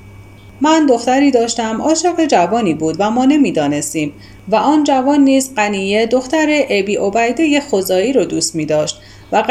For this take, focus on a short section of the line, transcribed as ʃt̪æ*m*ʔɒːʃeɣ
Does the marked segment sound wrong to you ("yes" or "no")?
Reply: no